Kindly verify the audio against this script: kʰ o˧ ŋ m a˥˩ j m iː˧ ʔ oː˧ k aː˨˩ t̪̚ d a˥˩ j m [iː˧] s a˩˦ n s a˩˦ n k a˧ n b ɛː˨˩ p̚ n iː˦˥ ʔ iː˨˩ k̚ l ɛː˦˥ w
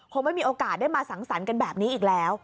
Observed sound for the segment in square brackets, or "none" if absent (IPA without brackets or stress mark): aː˧